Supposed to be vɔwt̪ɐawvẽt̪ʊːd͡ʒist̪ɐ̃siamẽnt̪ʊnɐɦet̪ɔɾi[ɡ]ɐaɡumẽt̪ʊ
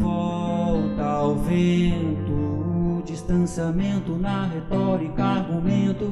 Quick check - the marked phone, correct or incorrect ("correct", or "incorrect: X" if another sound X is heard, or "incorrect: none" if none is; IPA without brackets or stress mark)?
incorrect: k